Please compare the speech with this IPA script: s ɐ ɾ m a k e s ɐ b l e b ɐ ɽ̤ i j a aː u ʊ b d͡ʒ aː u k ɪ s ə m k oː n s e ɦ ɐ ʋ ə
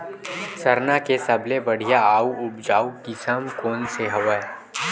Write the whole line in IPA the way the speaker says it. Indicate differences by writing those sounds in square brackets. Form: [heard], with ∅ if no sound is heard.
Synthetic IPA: s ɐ ɾ [n] a k e s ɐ b l e b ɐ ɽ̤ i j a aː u ʊ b d͡ʒ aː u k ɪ s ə m k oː n s e ɦ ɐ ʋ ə